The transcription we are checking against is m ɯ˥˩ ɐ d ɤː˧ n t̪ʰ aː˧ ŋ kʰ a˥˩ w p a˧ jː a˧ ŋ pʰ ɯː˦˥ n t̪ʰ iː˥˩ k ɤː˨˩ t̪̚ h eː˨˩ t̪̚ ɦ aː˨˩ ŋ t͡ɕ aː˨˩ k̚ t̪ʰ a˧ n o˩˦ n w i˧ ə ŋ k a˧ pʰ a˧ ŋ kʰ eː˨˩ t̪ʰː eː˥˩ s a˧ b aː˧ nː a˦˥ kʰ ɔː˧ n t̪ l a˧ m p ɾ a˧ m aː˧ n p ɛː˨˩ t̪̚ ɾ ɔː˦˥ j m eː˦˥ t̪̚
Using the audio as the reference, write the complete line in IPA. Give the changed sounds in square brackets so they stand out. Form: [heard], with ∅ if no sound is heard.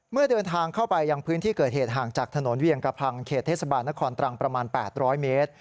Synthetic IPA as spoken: m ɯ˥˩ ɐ d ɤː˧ n t̪ʰ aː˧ ŋ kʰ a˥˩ w p a˧ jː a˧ ŋ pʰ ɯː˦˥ n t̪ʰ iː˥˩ k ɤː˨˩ t̪̚ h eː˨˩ t̪̚ ɦ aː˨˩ ŋ t͡ɕ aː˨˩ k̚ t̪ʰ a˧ n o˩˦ n w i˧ ə ŋ k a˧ pʰ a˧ ŋ kʰ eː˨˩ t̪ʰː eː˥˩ s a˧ b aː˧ nː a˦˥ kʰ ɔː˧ n t̪ [ɾ] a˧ [ŋ] p ɾ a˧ m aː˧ n p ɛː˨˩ t̪̚ ɾ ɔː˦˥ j m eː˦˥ t̪̚